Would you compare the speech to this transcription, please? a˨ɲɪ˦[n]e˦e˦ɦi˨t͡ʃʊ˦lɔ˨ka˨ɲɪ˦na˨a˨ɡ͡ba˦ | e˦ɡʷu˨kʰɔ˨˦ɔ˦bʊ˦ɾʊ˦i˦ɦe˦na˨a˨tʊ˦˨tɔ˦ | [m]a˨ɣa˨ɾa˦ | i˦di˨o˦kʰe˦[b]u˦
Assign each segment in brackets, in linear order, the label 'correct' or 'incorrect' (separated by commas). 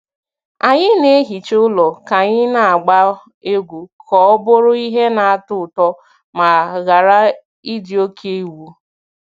correct, correct, incorrect